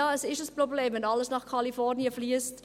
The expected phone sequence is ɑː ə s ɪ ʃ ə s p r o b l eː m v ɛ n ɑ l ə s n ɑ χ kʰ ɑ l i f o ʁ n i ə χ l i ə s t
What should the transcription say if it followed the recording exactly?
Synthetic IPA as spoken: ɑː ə s ɪ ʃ ə s p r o b l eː m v ɛ n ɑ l ə s n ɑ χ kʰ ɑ l i f ɔ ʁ n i ə f l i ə s t